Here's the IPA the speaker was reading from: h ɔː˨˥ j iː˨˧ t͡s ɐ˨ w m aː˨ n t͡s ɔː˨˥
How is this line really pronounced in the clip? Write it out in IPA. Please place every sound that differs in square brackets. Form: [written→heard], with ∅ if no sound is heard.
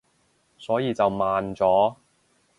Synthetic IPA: [h→s] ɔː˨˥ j iː˨˧ t͡s ɐ˨ w m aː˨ n t͡s ɔː˨˥